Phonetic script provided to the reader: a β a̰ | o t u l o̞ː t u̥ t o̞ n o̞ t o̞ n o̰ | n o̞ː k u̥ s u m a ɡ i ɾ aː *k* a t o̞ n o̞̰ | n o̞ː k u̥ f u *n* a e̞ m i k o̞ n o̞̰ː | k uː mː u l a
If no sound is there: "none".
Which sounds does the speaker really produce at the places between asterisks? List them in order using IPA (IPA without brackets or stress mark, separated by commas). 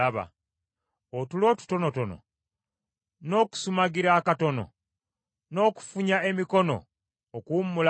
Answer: k, ɲ